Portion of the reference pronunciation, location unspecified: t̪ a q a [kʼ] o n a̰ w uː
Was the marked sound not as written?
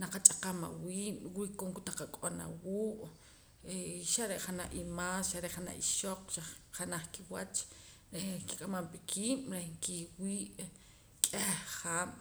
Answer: no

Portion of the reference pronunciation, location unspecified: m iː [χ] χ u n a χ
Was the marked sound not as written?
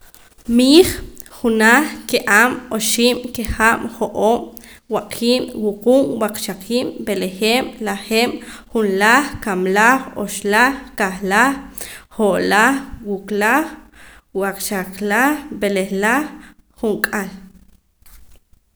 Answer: no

